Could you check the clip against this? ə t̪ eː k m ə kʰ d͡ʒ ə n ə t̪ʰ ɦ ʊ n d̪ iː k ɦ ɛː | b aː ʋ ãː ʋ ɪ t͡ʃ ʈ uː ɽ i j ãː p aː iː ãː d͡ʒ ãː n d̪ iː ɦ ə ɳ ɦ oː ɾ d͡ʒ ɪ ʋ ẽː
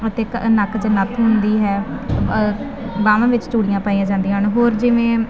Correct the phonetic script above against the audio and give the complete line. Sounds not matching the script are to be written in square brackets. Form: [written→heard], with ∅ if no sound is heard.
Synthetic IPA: ə t̪ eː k [m→n] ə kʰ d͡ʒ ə n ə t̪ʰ ɦ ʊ n d̪ iː [k→∅] ɦ ɛː | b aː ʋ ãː ʋ ɪ t͡ʃ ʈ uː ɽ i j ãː p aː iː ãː d͡ʒ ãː n d̪ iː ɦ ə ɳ ɦ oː ɾ d͡ʒ ɪ ʋ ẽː